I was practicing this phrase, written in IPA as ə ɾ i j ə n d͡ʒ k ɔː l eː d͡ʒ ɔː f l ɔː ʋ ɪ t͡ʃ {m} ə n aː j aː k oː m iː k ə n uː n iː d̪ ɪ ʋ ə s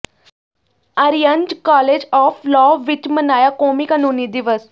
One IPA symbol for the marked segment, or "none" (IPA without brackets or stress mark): m